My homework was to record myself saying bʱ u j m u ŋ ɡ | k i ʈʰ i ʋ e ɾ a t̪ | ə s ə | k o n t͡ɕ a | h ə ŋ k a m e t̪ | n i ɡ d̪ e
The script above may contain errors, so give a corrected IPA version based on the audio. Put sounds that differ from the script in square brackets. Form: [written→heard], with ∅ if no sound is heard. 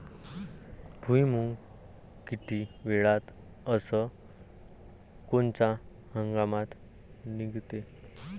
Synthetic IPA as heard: bʱ u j m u ŋ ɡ | k i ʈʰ i ʋ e [ɾ→ɭ] a t̪ | ə s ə | k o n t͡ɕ a | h ə ŋ [k→ɡ] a m [e→a] t̪ | n i ɡ [d̪→t̪] e